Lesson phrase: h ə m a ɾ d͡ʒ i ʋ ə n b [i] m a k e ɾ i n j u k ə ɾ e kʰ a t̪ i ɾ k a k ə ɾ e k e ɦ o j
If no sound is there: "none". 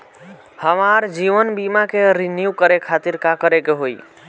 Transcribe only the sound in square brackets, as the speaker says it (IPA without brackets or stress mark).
i